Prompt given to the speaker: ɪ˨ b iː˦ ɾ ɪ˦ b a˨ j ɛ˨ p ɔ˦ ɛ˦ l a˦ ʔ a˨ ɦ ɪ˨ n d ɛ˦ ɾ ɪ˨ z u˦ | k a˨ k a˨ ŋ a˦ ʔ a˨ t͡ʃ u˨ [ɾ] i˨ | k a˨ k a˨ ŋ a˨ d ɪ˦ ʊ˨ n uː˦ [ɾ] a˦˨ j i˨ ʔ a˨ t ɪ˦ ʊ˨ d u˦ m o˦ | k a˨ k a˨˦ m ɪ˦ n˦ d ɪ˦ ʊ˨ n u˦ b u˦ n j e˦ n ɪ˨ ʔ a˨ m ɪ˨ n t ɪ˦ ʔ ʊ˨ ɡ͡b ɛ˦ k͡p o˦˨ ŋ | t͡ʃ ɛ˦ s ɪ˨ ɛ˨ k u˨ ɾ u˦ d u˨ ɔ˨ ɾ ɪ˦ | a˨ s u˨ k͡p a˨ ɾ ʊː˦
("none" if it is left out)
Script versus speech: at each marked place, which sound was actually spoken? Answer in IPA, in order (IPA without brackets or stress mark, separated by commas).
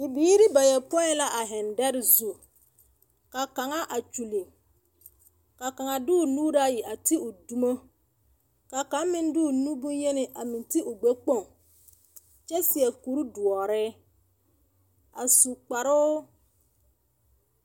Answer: l, ɾ